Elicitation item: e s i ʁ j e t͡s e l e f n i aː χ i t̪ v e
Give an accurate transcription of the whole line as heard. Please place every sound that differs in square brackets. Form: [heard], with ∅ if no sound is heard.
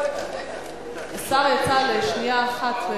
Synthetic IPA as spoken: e s [a] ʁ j [a] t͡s [a] l e [ʃ] n i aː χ [a] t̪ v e